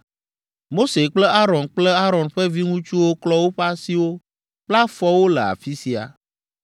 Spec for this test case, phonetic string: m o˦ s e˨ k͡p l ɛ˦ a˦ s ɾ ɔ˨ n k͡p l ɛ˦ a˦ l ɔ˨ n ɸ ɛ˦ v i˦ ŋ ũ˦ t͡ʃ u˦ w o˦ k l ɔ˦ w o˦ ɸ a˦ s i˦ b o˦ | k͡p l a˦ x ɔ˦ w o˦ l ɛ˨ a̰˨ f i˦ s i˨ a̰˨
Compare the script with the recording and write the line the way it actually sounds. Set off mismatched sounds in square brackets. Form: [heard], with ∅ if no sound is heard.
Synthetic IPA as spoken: m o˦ s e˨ k͡p l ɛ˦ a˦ [∅] ɾ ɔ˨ n k͡p l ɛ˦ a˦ [ɾ] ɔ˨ n ɸ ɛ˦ v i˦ ŋ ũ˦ t͡ʃ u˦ w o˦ k l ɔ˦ w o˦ ɸ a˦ s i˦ [w] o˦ | k͡p l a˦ [f] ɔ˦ w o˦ l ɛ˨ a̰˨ f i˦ s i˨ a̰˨